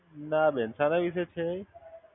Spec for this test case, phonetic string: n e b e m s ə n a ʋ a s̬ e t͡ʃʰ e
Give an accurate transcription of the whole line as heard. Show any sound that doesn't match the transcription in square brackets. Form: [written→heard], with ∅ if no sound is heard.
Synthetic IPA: n [e→a] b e [m→n] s [ə→a] n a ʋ [a→i] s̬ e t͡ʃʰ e